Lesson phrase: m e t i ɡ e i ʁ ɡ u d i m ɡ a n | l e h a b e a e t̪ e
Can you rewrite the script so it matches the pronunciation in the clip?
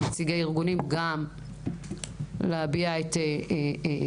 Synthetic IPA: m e t͡s i ɡ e i ʁ ɡ u n i m ɡ a m | l e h a b i a e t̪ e